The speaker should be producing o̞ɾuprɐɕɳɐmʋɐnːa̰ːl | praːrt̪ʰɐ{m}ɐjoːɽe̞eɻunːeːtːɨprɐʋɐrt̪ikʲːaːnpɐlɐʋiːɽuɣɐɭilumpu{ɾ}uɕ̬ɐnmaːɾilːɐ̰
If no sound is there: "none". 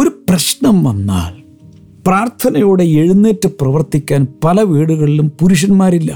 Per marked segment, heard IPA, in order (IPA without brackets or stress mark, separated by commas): n, ɾ